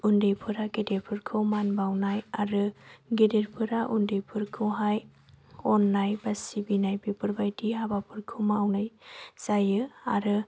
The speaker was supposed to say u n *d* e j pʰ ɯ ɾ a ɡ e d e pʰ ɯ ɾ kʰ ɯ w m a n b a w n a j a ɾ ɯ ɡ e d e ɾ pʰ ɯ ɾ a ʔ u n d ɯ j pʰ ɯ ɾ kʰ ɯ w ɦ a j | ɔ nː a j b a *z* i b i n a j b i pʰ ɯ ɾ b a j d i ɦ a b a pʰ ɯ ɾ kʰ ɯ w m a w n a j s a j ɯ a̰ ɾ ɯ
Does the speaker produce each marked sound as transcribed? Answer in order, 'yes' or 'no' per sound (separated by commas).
yes, no